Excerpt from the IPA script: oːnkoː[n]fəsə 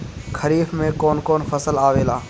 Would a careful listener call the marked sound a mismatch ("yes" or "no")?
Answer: no